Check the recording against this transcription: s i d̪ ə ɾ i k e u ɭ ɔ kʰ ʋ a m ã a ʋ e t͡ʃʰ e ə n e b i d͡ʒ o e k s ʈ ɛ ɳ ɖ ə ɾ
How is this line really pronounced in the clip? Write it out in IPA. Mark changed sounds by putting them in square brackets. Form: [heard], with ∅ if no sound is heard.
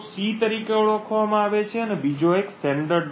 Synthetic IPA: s i [t̪] ə ɾ i k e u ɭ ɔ kʰ ʋ a m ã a ʋ e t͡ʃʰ e ə n e b i d͡ʒ o e k s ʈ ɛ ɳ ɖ ə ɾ